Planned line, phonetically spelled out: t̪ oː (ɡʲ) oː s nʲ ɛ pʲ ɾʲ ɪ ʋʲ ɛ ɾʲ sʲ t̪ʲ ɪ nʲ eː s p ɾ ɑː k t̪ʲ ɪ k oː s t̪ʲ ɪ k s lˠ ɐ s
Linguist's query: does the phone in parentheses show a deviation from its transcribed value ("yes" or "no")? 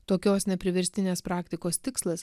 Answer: yes